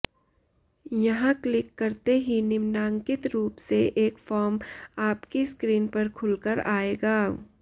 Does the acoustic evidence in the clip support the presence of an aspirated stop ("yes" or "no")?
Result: yes